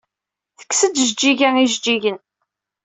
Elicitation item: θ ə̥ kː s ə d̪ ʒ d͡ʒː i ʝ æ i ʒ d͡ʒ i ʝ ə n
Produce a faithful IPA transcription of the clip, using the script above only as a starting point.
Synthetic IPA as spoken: θ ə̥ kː s ə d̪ ʒ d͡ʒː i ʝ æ i ʒ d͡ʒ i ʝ ə n